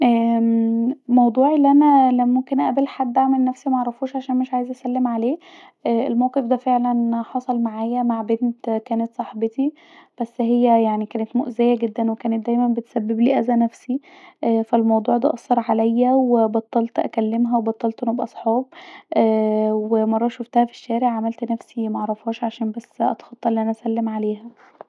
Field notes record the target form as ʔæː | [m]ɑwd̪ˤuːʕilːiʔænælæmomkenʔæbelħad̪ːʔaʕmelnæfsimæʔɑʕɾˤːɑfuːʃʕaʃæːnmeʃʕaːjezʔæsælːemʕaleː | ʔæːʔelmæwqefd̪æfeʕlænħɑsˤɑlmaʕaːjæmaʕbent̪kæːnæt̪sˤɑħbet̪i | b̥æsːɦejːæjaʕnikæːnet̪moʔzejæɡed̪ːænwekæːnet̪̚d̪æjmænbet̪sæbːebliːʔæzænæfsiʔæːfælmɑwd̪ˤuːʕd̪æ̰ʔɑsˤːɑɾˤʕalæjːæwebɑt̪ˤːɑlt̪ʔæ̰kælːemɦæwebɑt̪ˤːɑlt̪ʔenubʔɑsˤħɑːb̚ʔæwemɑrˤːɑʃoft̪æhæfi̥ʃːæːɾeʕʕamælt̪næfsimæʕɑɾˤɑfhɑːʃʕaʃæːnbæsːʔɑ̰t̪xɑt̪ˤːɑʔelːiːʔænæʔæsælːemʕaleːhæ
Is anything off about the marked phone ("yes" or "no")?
no